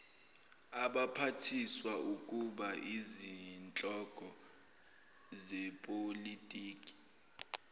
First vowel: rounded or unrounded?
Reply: unrounded